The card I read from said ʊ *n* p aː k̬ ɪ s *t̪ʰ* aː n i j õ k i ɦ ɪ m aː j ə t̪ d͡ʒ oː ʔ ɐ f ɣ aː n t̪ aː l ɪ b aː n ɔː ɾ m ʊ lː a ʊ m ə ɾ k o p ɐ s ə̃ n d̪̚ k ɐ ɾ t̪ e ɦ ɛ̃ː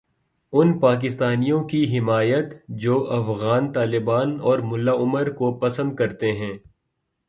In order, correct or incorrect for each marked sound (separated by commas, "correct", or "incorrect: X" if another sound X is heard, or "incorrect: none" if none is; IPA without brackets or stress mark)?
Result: correct, incorrect: t̪